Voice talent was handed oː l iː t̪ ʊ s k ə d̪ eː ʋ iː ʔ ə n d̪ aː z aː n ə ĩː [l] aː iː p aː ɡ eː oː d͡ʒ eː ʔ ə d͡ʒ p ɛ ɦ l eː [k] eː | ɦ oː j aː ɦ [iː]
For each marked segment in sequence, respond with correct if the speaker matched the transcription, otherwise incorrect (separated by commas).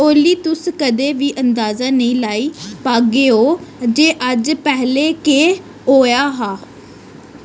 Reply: correct, correct, incorrect